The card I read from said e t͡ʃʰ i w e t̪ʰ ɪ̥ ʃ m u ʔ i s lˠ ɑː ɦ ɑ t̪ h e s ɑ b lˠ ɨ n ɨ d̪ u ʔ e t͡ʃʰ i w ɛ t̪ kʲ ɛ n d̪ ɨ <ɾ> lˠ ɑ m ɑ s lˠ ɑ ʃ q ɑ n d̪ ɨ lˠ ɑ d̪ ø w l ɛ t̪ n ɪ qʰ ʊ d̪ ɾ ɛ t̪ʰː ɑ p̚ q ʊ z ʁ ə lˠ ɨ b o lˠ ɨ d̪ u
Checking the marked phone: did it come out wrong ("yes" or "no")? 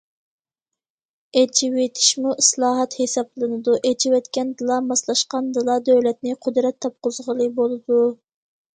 yes